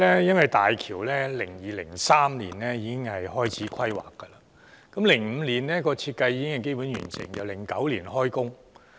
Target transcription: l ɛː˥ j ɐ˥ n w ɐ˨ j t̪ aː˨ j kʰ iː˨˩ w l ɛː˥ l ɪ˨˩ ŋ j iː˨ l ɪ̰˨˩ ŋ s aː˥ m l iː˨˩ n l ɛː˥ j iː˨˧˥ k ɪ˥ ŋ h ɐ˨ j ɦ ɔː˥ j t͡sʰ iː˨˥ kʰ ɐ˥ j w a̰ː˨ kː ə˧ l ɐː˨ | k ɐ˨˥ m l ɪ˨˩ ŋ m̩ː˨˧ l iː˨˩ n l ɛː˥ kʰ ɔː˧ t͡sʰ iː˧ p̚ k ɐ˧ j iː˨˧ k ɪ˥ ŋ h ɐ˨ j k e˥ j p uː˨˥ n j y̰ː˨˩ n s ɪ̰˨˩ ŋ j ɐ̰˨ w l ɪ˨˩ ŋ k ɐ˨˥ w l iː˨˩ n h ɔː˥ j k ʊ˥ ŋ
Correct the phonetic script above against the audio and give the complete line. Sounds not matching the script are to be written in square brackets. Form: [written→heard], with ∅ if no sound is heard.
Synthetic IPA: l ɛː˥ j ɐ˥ n w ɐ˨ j t̪ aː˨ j kʰ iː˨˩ w l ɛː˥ l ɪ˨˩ ŋ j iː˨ l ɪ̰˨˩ ŋ s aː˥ m l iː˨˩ n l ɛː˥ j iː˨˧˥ k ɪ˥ ŋ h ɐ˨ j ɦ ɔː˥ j t͡sʰ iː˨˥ kʰ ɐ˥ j w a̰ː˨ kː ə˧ l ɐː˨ | k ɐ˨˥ m l ɪ˨˩ ŋ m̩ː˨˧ l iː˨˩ n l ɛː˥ [kʰ→k] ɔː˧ t͡sʰ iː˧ [p̚→t̚] k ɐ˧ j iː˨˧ k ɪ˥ ŋ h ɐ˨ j k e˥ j p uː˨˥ n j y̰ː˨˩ n s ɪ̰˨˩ ŋ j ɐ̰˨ w l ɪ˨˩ ŋ k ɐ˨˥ w l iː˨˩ n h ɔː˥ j k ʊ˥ ŋ